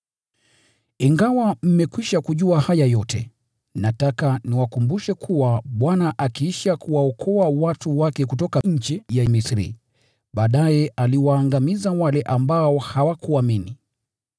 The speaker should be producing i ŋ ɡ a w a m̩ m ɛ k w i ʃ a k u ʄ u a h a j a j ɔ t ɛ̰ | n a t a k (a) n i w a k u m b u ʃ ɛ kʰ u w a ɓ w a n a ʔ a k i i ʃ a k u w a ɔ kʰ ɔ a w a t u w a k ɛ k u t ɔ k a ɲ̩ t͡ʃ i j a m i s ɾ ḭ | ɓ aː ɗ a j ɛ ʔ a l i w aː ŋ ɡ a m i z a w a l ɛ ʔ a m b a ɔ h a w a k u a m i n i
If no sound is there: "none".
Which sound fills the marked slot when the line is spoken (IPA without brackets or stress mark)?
a